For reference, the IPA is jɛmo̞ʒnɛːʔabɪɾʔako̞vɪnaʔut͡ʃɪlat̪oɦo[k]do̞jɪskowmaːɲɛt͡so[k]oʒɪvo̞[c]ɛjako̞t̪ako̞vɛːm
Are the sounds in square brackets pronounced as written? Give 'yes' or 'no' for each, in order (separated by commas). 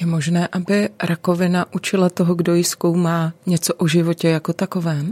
no, no, yes